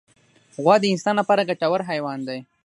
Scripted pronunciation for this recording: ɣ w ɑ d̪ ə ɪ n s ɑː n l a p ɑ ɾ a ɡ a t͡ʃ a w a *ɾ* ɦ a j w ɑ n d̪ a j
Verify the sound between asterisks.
correct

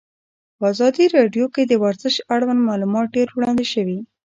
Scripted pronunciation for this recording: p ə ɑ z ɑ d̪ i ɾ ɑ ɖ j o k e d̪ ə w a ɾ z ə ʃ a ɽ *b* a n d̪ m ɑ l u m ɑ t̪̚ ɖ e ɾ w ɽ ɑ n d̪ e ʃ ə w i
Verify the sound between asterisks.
incorrect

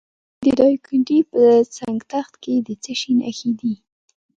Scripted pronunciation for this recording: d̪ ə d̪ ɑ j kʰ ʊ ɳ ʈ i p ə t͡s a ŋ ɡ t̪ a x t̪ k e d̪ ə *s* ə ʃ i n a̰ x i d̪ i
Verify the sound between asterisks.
incorrect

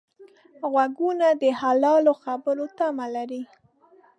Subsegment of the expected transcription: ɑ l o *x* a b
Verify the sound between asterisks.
correct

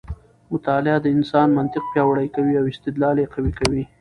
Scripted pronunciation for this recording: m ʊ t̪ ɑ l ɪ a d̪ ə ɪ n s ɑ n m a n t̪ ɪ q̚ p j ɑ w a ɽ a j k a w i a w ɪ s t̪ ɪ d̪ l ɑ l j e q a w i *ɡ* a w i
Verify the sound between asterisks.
incorrect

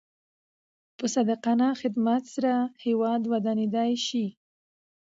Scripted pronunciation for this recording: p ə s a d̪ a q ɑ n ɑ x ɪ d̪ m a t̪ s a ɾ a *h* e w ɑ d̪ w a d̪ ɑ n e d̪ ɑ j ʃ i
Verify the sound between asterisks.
correct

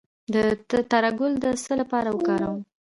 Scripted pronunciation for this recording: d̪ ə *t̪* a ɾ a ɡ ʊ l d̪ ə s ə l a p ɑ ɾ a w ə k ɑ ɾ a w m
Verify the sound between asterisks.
correct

